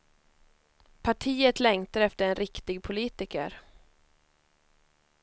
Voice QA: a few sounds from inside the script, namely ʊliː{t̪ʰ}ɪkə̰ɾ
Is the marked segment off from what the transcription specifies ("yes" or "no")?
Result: yes